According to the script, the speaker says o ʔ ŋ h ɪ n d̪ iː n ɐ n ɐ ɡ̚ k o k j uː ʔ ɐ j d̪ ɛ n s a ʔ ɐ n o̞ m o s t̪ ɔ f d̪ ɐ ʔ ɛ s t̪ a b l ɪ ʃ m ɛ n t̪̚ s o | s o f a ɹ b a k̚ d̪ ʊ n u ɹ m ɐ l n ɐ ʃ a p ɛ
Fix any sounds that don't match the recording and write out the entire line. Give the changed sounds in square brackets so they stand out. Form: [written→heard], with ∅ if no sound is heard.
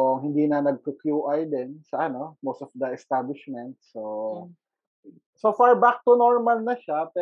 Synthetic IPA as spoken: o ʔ ŋ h ɪ n d̪ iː n ɐ n ɐ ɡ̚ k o k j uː ʔ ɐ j d̪ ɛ n s [a→ɐ] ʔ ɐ n o̞ m o s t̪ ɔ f d̪ ɐ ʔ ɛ s t̪ a b l ɪ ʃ m ɛ n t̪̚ s o | s o f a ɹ b a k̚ [d̪→t̪] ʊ n [u→o] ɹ m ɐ l n ɐ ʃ a p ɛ